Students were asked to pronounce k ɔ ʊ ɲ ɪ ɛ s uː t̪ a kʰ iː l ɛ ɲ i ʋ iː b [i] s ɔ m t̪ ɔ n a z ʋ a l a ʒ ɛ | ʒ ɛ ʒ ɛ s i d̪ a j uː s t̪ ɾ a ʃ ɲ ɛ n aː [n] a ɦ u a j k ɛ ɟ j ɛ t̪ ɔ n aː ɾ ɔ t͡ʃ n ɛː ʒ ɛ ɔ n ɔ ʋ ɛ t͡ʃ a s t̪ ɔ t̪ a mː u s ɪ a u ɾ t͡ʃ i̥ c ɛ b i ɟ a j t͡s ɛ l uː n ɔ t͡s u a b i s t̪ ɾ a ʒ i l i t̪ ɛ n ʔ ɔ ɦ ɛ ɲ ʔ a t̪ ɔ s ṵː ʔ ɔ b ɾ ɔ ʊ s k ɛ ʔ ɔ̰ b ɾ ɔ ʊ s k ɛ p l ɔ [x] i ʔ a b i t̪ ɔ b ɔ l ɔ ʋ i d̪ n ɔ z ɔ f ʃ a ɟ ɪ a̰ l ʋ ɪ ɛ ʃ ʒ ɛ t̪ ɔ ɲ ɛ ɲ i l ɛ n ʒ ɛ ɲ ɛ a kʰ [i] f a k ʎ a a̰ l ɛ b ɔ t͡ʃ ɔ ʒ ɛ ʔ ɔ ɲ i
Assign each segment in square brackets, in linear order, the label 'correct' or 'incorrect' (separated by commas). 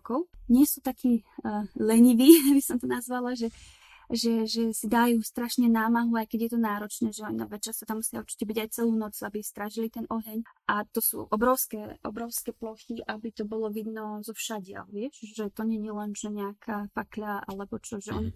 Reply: correct, incorrect, correct, incorrect